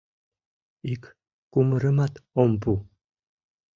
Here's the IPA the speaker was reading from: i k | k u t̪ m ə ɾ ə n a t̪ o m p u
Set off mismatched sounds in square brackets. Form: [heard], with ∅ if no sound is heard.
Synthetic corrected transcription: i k | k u [∅] m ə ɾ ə [m] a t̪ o m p u